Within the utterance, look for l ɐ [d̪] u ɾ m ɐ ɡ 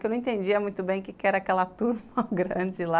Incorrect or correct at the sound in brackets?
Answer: incorrect: t̪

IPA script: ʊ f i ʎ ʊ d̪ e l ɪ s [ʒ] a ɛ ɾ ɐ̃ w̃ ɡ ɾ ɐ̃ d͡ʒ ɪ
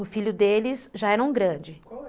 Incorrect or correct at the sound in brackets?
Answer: correct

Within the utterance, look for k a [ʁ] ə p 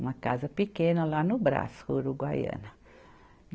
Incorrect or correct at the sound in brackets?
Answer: incorrect: z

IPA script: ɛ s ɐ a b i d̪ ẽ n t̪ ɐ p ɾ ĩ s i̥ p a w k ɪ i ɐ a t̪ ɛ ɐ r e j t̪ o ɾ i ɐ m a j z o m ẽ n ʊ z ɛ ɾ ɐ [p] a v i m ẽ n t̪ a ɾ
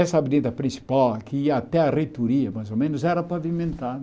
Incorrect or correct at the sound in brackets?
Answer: correct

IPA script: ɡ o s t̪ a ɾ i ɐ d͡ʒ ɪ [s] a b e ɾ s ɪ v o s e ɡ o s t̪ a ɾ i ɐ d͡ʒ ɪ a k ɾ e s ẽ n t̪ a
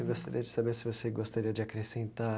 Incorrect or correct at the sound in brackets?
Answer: correct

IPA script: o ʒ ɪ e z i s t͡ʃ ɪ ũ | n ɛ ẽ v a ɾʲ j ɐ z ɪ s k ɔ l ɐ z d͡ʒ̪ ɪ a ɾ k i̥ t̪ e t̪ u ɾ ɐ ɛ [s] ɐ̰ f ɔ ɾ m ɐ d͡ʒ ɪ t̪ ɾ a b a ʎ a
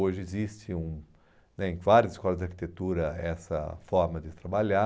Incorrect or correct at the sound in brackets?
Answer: correct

